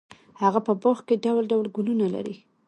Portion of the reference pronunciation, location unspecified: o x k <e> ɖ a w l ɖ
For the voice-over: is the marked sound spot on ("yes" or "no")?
yes